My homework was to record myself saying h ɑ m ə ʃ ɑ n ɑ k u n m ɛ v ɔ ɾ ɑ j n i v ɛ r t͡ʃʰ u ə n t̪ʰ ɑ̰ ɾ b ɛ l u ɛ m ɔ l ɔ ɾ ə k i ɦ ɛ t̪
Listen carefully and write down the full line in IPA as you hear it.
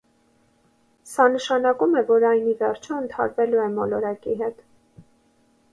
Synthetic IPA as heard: s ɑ n ə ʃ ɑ n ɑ k u m ɛ v ɔ ɾ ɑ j n i v ɛ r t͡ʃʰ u ə n t̪ʰ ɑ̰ ɾ v ɛ l u ɛ m ɔ l ɔ ɾ ɑ k i ɦ ɛ t̪